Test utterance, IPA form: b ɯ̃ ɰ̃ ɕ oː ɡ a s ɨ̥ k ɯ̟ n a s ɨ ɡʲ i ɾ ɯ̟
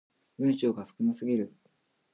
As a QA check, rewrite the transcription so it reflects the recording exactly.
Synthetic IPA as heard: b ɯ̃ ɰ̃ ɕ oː ɡ a s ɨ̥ k ɯ̟ n a s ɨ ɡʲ i ɾ ɯ̟

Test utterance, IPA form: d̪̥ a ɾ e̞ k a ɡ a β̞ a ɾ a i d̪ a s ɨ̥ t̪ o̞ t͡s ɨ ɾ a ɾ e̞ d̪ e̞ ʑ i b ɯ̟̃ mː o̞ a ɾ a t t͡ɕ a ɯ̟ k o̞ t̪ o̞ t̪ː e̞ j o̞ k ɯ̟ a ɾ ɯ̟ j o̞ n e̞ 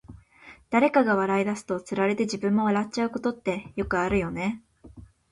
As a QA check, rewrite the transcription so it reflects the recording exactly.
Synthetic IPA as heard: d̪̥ a ɾ e̞ k a ɡ a β̞ a ɾ a i d̪ a s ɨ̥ t̪ o̞ t͡s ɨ ɾ a ɾ e̞ t̪ e̞ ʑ i b ɯ̟̃ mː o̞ a ɾ a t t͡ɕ a ɯ̟ k o̞ t̪ o̞ t̪ː e̞ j o̞ k ɯ̟ a ɾ ɯ̟ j o̞ n e̞

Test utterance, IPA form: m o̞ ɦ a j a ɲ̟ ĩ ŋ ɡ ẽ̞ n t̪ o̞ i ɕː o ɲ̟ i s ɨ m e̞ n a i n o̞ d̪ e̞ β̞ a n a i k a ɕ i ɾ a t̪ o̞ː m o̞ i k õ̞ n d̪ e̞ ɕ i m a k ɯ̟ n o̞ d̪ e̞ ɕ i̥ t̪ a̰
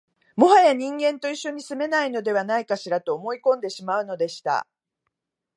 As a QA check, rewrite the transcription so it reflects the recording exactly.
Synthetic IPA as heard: m o̞ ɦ a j a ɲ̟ ĩ ŋ ɡ ẽ̞ n t̪ o̞ i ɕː o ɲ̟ i s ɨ m e̞ n a i n o̞ d̪ e̞ β̞ a n a i k a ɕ i ɾ a t̪ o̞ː m o̞ i k õ̞ n d̪ e̞ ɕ i m a ɯ̟ n o̞ d̪ e̞ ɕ i̥ t̪ a̰

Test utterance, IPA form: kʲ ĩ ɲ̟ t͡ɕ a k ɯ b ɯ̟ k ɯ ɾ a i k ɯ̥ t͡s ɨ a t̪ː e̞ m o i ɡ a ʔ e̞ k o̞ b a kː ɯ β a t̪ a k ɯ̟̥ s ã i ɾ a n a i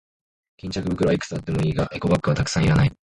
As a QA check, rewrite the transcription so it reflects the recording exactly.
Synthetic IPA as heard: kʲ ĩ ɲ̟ t͡ɕ a k ɯ b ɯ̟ k ɯ ɾ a i k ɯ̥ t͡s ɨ a t̪ː e̞ m o iː ɡ a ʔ e̞ k o̞ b a kː ɯ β a t̪ a k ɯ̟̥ s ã i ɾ a n a i

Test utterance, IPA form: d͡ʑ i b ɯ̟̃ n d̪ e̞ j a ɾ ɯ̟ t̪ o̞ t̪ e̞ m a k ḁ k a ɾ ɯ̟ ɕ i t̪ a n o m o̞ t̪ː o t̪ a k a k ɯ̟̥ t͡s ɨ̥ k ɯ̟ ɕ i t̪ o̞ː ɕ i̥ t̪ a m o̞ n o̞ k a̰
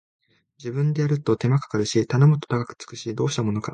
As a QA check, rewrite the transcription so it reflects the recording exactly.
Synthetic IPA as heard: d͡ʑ i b ɯ̟̃ n d̪ e̞ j a ɾ ɯ̟ t̪ o̞ t̪ e̞ m a k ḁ k a ɾ ɯ̟ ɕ i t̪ a n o m o̞ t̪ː o t̪ a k a k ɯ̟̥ t͡s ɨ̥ k ɯ̟ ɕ i d̪ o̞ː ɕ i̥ t̪ a m o̞ n o̞ k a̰

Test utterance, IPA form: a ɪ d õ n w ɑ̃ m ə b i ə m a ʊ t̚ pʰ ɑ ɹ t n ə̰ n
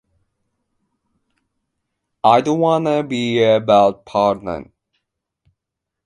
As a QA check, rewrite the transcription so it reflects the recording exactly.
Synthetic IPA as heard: a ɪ d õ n w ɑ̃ n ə b i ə b a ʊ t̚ pʰ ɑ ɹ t n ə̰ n

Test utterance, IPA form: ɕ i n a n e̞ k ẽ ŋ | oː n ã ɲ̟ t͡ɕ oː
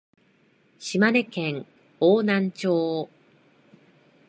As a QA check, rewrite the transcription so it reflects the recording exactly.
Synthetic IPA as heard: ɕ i m a n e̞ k ẽ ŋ | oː n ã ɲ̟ t͡ɕ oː

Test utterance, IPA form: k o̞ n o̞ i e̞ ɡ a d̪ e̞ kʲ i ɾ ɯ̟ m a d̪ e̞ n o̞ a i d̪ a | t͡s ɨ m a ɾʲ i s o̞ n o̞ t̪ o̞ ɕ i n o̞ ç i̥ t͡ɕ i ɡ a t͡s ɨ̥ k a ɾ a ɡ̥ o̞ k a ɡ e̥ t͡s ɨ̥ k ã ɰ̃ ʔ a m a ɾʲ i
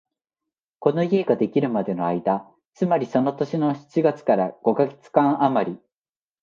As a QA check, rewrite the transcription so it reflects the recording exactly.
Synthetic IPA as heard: k o̞ n o̞ i e̞ ɡ a d̪ e̞ kʲ i ɾ ɯ̟ m a d̪ e̞ n o̞ a i d̪ a | t͡s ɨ m a ɾʲ i s o̞ n o̞ t̪ o̞ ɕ i n o̞ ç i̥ t͡ɕ i ɡ a t͡s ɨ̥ k a ɾ a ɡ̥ o̞ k a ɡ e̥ t͡s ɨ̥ k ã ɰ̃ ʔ a m a ɾʲ i

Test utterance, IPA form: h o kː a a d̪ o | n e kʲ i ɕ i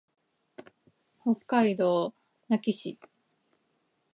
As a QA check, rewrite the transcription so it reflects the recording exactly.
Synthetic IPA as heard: h o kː a i d̪ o | n a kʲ i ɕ i

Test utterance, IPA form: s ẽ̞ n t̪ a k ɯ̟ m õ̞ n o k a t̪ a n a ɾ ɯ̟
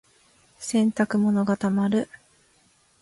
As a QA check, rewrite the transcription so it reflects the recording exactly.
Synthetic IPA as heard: s ẽ̞ n t̪ a k ɯ̟ m o̞ n o ɡ a t̪ a m a ɾ ɯ̟

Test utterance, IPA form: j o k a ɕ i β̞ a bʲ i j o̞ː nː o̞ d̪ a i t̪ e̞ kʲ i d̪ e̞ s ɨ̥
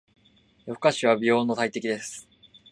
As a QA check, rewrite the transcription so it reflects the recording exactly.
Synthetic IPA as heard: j o k a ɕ i β̞ a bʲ i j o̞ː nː o̞ t̪ a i t̪ e̞ kʲ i d̪ e̞ s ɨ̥

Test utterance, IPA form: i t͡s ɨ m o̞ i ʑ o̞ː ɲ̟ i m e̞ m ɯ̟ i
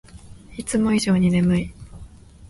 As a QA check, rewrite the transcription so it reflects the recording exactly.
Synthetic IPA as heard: i t͡s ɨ m o̞ i ʑ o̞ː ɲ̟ i n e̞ m ɯ̟ i

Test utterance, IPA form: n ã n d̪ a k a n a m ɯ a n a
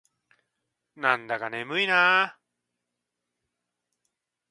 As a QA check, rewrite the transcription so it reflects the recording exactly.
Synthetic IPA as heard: n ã n d̪ a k a n e m ɯ i n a

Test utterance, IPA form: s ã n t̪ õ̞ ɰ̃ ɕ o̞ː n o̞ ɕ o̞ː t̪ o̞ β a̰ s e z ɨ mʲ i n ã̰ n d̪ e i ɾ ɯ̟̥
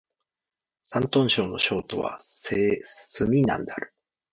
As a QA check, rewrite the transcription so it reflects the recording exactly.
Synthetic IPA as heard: s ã n t̪ õ̞ ɰ̃ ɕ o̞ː n o̞ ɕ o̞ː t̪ o̞ β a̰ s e s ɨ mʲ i n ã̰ n d̪ e a ɾ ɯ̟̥

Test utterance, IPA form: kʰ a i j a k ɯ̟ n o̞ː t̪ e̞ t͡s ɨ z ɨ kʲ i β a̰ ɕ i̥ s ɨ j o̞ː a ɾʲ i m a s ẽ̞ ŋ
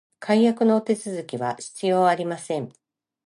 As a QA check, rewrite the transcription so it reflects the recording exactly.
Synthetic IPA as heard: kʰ a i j a k ɯ̟ n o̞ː t̪ e̞ t͡s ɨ z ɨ kʲ i β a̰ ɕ i̥ t͡s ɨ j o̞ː a ɾʲ i m a s ẽ̞ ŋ

